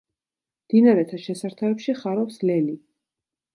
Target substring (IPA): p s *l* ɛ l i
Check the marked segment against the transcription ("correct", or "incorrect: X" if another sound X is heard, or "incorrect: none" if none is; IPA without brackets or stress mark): correct